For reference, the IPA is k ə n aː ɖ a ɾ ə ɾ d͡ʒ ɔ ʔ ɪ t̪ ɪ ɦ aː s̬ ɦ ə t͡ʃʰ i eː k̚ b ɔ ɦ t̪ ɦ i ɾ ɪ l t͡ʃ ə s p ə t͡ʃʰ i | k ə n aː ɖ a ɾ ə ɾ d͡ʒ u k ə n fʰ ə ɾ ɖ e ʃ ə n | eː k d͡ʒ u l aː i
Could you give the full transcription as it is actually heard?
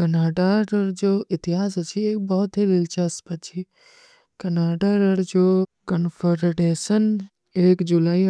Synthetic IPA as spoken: k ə n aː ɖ a ɾ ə ɾ d͡ʒ o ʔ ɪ t̪ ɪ ɦ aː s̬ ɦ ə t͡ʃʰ i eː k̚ b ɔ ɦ t̪ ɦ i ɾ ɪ l t͡ʃ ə s p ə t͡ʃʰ i | k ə n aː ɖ a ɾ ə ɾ d͡ʒ o k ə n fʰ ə ɾ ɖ e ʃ ə n | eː k d͡ʒ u l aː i